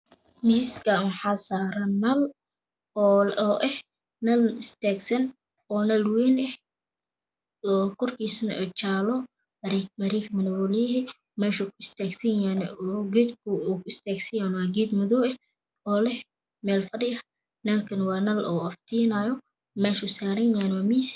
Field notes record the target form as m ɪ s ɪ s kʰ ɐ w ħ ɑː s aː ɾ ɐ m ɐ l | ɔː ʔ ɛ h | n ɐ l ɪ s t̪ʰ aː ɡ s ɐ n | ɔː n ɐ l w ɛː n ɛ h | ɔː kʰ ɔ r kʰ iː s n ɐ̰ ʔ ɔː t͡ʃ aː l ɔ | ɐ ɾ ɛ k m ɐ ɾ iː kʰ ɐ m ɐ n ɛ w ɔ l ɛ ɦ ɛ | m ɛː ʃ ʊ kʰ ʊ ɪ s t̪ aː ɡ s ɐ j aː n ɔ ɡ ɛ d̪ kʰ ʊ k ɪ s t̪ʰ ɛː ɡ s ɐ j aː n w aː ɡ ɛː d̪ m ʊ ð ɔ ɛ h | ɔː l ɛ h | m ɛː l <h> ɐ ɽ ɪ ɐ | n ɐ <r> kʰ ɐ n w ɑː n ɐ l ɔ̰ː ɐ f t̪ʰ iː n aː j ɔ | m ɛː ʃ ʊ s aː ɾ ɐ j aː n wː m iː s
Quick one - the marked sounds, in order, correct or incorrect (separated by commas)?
incorrect, incorrect